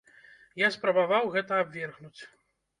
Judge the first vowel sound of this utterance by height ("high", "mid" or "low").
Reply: low